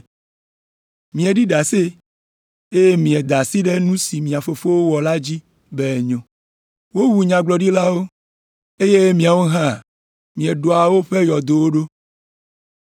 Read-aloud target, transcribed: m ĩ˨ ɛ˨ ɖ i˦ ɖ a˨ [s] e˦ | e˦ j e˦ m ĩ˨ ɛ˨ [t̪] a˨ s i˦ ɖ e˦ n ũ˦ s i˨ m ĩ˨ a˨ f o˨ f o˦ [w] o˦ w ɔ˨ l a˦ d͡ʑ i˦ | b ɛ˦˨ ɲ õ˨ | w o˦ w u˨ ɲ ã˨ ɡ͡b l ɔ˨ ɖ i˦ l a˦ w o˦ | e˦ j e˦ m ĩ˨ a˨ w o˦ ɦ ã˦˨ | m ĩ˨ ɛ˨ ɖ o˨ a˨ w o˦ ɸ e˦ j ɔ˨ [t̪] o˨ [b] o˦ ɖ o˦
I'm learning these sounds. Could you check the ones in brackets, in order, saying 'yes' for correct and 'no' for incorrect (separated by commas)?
yes, no, yes, no, no